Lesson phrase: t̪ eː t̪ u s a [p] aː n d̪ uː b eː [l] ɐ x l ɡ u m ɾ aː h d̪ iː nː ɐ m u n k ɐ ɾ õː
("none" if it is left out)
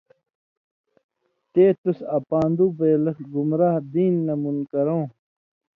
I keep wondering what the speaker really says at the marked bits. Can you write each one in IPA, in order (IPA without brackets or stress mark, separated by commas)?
p, l